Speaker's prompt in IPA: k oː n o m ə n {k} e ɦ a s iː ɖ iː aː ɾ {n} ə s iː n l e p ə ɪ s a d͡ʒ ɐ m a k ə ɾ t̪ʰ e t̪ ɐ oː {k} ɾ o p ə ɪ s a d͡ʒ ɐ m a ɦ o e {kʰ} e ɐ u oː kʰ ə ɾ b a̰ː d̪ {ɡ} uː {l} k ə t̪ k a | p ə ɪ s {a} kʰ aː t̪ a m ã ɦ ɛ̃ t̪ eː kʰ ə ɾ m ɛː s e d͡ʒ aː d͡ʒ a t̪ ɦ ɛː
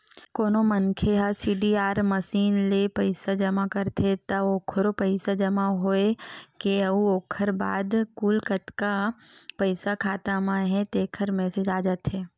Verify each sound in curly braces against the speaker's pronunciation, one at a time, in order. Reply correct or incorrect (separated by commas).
incorrect, incorrect, incorrect, incorrect, incorrect, correct, correct